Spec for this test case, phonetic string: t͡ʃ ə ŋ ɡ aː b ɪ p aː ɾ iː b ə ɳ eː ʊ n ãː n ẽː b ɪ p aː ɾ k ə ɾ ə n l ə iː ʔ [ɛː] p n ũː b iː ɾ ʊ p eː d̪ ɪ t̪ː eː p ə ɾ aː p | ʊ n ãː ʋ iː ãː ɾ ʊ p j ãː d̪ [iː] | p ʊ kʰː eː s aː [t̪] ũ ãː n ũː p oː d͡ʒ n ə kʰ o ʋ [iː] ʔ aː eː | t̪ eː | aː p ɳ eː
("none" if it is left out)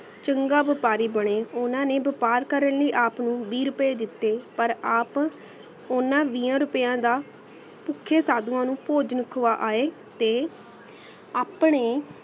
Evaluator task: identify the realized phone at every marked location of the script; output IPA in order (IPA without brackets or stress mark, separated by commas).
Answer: aː, aː, d̪, aː